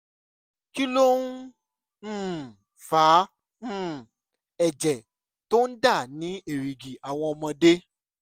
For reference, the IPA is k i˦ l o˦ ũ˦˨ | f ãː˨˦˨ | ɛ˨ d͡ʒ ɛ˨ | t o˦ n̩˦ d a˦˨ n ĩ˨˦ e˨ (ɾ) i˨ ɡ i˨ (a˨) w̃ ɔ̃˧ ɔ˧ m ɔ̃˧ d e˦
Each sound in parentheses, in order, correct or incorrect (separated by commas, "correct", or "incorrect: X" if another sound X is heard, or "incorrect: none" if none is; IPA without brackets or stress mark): correct, correct